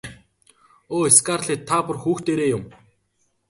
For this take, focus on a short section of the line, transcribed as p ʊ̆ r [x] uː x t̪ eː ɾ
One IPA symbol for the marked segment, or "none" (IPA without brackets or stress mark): x